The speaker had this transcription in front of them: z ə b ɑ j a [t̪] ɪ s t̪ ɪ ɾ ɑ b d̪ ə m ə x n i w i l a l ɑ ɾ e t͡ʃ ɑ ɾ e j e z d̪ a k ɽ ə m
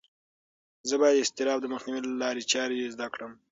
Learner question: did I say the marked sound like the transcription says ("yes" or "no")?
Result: no